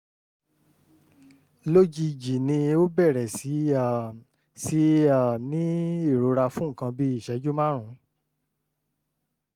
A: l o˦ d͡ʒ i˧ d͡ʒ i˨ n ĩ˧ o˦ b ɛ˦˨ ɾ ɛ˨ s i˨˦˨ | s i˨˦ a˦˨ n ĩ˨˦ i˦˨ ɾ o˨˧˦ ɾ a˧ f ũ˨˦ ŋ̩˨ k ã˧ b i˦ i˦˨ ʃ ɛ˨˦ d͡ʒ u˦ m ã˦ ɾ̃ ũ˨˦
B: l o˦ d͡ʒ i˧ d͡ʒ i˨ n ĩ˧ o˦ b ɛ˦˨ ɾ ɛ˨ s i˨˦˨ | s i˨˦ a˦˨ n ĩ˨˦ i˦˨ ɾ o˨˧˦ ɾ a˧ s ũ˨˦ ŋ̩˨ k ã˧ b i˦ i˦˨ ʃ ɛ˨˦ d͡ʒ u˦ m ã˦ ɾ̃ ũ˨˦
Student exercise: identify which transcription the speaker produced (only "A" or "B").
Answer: A